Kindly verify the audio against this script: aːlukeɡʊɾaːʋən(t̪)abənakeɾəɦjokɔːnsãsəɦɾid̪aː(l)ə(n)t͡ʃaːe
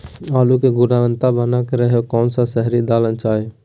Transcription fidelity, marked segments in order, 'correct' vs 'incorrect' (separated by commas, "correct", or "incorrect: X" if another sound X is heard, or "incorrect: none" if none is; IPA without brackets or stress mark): correct, correct, correct